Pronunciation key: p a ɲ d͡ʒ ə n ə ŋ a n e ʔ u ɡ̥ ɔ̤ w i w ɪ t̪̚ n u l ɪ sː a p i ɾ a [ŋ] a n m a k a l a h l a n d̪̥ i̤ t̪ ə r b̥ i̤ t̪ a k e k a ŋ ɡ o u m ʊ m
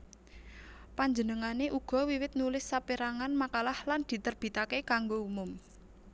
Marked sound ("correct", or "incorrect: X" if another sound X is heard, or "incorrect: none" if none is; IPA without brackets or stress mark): correct